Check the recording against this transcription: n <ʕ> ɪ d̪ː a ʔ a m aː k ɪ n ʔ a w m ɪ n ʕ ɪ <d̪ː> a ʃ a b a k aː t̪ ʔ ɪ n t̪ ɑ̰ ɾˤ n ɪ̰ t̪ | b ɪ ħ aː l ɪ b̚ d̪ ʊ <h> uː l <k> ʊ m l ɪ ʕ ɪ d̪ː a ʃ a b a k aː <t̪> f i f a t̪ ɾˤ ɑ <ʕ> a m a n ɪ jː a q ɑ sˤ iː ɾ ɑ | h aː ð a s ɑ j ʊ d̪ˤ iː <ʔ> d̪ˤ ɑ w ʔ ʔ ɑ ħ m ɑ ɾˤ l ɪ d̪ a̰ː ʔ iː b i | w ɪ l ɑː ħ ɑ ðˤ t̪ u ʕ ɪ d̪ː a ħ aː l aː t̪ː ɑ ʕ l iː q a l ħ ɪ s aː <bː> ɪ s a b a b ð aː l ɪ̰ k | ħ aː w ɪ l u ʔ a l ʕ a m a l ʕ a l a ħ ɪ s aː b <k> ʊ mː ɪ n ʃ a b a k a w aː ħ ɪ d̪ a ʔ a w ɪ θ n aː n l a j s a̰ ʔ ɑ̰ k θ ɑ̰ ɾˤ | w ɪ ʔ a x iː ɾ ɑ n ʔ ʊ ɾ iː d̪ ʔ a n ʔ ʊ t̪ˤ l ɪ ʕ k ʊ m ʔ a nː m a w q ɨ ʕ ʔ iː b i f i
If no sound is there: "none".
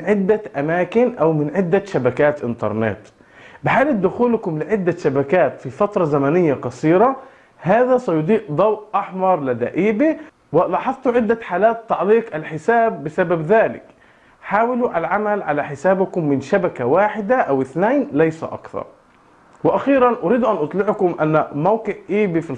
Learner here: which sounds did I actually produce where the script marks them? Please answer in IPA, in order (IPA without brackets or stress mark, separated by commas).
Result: ʕ, d̪ː, x, k, t̪, z, ʔ, bː, k